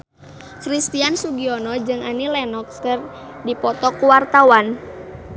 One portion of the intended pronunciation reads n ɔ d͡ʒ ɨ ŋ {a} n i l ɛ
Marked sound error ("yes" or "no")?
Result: no